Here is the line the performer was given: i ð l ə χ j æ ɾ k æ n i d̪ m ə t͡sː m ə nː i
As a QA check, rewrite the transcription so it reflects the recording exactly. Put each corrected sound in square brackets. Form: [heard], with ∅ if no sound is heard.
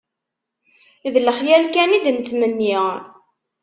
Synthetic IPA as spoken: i ð l ə χ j æ [l] k æ n i d̪ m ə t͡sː m ə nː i